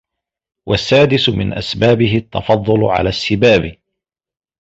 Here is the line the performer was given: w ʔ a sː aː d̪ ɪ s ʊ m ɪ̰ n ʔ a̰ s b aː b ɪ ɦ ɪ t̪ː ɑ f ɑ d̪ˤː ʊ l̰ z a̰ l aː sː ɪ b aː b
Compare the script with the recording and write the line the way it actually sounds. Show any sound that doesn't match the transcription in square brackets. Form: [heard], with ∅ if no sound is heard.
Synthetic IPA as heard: w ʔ a sː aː d̪ ɪ s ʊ m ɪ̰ n ʔ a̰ s b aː b ɪ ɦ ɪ t̪ː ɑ f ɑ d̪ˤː ʊ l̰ [ʕ] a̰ l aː sː ɪ b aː b